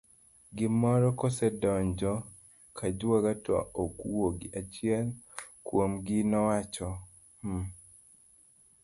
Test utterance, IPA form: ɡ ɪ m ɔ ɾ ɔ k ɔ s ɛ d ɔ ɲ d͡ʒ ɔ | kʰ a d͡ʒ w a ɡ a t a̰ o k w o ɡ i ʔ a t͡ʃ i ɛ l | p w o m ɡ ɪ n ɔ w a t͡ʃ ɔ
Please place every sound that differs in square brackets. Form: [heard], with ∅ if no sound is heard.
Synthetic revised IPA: ɡ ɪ m ɔ ɾ ɔ k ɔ s ɛ d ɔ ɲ d͡ʒ ɔ | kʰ a d͡ʒ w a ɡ a t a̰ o k w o ɡ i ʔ a t͡ʃ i ɛ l | [k] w o m ɡ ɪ n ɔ w a t͡ʃ ɔ